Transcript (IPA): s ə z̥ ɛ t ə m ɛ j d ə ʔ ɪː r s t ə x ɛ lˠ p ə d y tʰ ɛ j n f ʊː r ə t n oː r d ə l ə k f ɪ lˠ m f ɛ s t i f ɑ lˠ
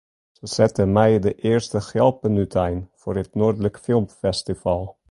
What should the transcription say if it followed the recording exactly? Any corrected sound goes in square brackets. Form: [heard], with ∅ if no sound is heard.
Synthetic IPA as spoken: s ə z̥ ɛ t ə m ɛ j d ə ʔ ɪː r s t ə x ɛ lˠ p ə [n] y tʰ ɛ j n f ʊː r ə t n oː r d ə l ə k f ɪ lˠ m f ɛ s t i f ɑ lˠ